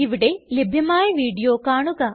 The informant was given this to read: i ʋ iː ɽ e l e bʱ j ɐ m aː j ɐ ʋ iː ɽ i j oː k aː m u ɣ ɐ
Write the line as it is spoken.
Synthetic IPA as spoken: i ʋ i ɽ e l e bʱ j ɐ m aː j ɐ ʋ iː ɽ i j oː k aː ɳ u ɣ ɐ